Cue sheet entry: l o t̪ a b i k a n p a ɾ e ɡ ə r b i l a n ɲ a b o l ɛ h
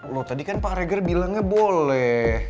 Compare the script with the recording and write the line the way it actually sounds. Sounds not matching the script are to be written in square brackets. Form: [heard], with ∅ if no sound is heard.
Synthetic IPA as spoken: l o t̪ a [d] i k a n p a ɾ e ɡ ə r b i l a [ŋ] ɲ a b o l ɛ h